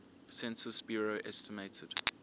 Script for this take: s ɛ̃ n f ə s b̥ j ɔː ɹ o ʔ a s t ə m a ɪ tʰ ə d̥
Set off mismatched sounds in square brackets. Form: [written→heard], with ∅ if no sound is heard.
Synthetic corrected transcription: s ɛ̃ n [f→s] ə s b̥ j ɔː ɹ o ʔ [a→ɛ] s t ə m [a→e] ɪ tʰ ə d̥

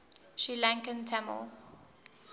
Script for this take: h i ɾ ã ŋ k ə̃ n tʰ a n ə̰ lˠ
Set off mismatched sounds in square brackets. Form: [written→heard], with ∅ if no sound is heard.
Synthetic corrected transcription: [h→ʃ] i [ɾ→l] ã ŋ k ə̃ n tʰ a [n→m] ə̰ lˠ

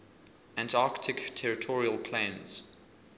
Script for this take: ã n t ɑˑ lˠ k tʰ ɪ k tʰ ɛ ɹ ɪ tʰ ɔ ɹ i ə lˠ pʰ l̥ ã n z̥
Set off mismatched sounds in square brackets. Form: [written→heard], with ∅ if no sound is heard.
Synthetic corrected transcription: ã n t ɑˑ [lˠ→∅] k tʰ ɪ k tʰ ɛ ɹ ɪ tʰ ɔ ɹ i ə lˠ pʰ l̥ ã n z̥

